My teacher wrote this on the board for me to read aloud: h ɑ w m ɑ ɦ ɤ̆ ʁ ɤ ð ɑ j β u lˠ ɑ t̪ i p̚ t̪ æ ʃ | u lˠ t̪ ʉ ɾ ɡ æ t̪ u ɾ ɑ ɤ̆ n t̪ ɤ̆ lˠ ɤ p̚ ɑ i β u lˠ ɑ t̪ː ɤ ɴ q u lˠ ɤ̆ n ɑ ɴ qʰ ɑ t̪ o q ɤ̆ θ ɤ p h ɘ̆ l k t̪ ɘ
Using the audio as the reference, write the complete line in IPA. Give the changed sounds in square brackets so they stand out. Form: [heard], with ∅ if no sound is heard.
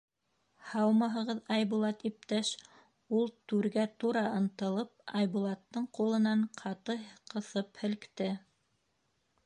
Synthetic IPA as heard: h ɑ w m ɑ ɦ ɤ̆ ʁ ɤ ð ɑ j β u lˠ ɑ t̪ i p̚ t̪ æ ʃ | u lˠ t̪ ʉ ɾ ɡ æ t̪ u ɾ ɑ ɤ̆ n t̪ ɤ̆ lˠ ɤ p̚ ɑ [j] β u lˠ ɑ t̪ː ɤ ɴ q u lˠ ɤ̆ n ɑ ɴ qʰ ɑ t̪ [ɤ] q ɤ̆ θ ɤ p h ɘ̆ l k t̪ ɘ